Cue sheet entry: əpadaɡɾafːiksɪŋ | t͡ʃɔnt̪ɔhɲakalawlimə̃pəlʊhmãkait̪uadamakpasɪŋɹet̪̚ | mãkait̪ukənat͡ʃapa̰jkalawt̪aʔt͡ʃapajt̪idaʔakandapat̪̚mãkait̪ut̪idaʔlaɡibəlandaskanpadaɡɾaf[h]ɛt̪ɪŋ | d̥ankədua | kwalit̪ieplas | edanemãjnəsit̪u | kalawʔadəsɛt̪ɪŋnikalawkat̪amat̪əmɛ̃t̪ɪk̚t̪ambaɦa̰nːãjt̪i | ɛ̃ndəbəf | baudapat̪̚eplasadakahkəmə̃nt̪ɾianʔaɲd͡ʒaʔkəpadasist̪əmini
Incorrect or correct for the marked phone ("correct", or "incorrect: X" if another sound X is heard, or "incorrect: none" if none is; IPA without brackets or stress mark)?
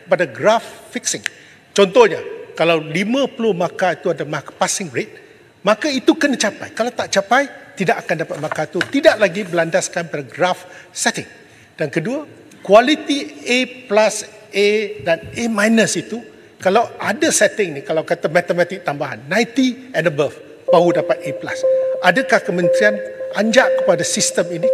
incorrect: s